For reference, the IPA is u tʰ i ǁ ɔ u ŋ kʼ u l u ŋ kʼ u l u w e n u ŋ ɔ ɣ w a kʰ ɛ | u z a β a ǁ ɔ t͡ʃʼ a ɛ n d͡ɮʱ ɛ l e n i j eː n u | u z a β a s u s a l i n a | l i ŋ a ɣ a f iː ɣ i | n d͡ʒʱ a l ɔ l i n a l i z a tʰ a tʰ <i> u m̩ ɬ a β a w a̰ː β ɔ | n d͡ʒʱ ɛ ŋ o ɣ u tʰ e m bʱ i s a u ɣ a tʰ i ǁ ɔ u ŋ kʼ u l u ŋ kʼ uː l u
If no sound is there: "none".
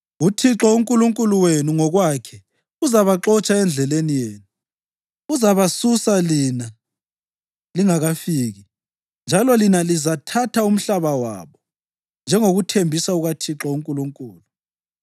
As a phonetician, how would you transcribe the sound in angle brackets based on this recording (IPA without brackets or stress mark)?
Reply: a